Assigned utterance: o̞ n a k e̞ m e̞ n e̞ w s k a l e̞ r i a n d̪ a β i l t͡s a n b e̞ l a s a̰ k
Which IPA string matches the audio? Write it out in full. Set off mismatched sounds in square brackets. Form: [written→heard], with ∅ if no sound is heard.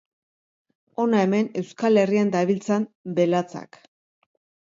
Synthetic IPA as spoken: o̞ n a [k→∅] e̞ m e̞ n e̞ w s k a l e̞ r i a n d̪ a β i l t͡s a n b e̞ l a [s→t͡s] a̰ k

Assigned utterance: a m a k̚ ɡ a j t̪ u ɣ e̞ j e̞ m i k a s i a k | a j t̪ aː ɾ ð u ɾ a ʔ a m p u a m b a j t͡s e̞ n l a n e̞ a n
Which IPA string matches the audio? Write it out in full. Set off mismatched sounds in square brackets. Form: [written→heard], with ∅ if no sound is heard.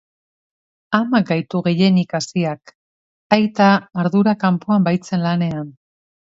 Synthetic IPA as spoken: a m a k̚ ɡ a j t̪ u ɣ e̞ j e̞ [m→n] i k a s i a k | a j t̪ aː ɾ ð u ɾ a [ʔ→k] a m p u a m b a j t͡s e̞ n l a n e̞ a n

